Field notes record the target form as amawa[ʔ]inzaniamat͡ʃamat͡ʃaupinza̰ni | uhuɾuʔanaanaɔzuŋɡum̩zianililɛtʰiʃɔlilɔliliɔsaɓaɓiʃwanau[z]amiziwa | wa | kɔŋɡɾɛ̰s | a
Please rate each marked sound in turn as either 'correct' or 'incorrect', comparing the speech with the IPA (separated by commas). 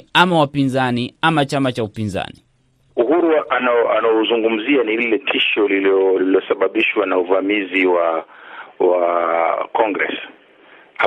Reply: incorrect, incorrect